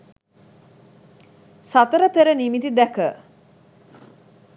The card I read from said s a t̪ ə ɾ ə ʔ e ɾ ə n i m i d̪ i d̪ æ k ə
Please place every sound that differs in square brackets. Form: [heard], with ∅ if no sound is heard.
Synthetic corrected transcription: s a t̪ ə ɾ ə [p] e ɾ ə n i m i [t̪] i d̪ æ k ə